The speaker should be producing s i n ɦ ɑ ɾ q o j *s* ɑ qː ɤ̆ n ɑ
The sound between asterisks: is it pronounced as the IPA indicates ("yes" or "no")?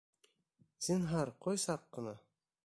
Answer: yes